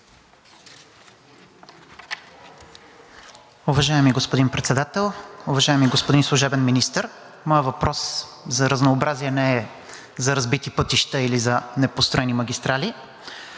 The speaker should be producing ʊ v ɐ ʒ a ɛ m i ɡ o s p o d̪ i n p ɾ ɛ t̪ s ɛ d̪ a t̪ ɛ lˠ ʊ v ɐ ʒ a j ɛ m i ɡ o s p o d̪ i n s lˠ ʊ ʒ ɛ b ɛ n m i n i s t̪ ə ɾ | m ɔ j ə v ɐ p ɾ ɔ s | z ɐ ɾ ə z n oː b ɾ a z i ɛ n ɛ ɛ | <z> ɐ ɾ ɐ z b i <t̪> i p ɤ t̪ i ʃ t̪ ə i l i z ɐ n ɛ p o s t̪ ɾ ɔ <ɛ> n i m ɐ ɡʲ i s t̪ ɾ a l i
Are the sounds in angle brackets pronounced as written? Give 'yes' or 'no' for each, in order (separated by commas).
yes, yes, yes